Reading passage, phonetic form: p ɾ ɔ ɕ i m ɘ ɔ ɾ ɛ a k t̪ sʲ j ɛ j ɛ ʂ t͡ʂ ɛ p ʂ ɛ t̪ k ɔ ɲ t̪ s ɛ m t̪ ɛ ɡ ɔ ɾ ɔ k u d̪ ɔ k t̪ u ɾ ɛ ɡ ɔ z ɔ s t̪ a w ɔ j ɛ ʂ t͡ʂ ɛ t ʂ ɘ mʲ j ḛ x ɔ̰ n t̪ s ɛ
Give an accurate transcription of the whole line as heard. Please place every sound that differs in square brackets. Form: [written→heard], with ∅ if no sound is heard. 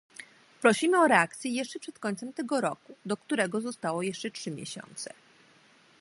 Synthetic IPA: p ɾ ɔ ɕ i m ɘ ɔ ɾ ɛ a k t̪ sʲ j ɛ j ɛ ʂ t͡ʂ ɛ p ʂ ɛ t̪ k ɔ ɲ t̪ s ɛ m t̪ ɛ ɡ ɔ ɾ ɔ k u d̪ ɔ k t̪ u ɾ ɛ ɡ ɔ z ɔ s t̪ a w ɔ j ɛ ʂ t͡ʂ ɛ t ʂ ɘ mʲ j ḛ [x→ɕ] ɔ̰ n t̪ s ɛ